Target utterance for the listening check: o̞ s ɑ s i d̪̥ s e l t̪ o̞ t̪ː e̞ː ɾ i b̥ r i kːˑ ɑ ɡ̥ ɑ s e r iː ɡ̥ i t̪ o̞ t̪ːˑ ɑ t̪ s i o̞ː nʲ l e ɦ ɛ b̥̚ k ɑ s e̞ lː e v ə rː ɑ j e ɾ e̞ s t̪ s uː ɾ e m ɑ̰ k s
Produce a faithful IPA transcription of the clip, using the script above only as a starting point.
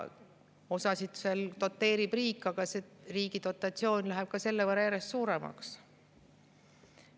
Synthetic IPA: o̞ s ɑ s i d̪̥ s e l t̪ o̞ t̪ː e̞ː ɾ i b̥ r iː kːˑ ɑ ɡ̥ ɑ s e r iː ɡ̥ i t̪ o̞ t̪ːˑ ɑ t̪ s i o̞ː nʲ l æ ɦ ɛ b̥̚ k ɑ s e̞ lː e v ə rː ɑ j æ ɾ e̞ s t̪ s uː ɾ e m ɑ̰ k s